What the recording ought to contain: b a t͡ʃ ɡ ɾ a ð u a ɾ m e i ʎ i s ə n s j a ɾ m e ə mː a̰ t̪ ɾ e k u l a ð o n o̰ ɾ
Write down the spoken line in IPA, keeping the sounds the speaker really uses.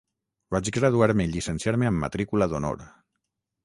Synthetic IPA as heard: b a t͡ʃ ɡ ɾ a ð u a ɾ m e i ʎ i s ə n s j a ɾ m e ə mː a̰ t̪ ɾ i k u l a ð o n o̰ ɾ

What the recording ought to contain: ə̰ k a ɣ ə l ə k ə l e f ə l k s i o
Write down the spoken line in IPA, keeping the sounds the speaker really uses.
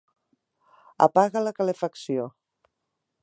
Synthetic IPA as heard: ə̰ p a ɣ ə l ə k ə l e f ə k s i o

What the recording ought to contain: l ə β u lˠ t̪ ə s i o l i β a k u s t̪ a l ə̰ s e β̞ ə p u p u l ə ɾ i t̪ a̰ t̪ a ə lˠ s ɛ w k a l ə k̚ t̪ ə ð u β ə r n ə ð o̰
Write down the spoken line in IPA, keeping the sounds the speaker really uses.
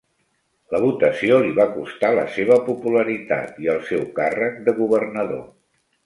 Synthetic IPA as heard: l ə β u t̪ ə s i o l i β a k u s t̪ a l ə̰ s e β̞ ə p u p u l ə ɾ i t̪ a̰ t̪ i ə lˠ s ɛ w k a r ə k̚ d̪ ə ɣ u β ə r n ə ð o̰

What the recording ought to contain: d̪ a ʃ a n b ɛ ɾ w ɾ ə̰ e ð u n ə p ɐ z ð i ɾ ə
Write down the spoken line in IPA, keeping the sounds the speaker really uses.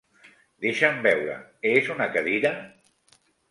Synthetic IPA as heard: d̪ e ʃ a m b ɛ w ɾ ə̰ e z u n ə k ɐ ð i ɾ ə

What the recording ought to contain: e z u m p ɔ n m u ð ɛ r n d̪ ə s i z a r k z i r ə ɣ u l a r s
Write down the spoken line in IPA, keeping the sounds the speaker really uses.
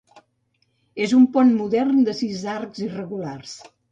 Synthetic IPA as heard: e z u m p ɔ n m u ð ɛ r n d̪ ə s i z a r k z i r ə ɣ u l a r s

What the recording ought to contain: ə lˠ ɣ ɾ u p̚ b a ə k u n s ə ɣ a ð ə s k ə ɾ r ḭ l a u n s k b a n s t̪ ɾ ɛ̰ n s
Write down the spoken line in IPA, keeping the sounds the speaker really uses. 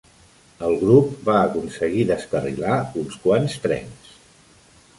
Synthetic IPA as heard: ə lˠ ɣ ɾ u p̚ b a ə k u n s ə ɣ i ð ə s k ə r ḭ l a u n s k w a n s t̪ ɾ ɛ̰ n s

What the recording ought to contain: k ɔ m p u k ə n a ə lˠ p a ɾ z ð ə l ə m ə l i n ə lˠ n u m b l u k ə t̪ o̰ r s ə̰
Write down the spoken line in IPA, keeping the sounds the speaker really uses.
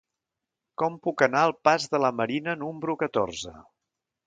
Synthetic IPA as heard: k ɔ m p u k ə n a ə lˠ p a z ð ə l ə m ə ɾ i n ə n u m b ɾ u k ə t̪ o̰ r z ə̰

